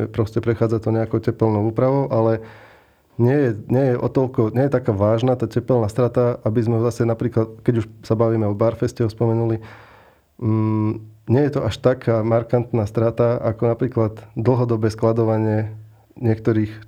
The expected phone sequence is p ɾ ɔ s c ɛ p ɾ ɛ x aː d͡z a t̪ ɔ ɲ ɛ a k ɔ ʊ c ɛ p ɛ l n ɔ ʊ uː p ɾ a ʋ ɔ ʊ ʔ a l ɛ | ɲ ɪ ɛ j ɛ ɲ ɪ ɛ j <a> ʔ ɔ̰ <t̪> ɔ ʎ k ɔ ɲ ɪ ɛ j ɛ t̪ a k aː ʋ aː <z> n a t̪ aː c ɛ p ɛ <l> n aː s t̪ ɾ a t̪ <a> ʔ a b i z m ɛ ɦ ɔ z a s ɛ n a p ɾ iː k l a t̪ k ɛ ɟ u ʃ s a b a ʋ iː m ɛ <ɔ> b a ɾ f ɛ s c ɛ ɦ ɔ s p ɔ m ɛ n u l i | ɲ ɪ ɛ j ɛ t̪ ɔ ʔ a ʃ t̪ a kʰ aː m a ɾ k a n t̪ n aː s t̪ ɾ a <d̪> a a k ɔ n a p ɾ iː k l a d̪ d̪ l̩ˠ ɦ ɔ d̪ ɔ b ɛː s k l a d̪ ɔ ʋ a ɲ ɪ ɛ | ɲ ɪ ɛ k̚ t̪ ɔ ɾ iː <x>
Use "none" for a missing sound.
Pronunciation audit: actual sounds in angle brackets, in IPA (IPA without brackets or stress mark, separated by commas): ɛ, t̪, ʒ, l, a, ɔ, t̪, x